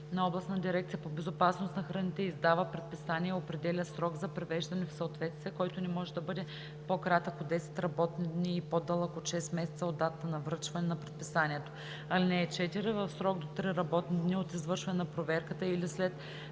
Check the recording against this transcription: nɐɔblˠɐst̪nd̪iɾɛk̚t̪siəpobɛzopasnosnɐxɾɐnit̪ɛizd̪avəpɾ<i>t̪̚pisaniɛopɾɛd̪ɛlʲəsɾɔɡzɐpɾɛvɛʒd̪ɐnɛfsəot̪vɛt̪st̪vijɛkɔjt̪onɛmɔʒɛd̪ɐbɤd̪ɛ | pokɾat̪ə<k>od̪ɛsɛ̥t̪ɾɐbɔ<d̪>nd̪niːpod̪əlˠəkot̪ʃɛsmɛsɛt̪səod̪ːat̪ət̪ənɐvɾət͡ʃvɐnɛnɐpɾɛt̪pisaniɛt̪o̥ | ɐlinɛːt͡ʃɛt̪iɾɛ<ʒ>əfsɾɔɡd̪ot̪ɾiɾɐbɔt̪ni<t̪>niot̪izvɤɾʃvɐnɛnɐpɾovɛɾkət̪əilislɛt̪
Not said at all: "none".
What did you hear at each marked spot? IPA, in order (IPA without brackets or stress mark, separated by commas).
ɛ, k, t̪, v, d̪